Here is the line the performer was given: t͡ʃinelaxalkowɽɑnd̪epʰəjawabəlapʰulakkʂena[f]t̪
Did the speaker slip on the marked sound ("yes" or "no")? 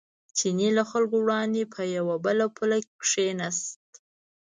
yes